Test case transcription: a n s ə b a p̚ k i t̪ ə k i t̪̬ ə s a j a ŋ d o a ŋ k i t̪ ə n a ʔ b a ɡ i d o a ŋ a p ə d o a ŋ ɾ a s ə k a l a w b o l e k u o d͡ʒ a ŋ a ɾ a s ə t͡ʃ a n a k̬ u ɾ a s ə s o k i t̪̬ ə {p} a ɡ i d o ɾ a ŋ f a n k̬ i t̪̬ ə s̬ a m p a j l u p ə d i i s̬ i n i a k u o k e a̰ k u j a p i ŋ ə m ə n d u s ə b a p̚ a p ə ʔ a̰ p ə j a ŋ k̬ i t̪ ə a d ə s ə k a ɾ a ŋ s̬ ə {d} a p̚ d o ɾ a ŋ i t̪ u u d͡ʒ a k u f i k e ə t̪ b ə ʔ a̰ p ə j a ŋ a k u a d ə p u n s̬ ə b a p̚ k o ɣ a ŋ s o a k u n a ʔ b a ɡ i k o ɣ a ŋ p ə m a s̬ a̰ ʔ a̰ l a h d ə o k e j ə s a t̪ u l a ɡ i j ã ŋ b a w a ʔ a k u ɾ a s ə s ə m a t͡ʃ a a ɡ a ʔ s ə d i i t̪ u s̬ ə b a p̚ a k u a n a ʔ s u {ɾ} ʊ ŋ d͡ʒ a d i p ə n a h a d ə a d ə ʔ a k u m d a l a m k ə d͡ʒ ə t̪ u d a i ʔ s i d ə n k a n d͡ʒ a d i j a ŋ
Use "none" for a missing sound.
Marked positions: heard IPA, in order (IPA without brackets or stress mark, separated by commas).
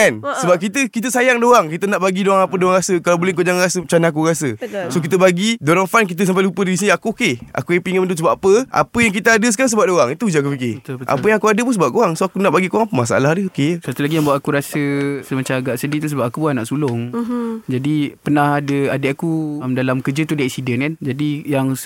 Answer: b, b, l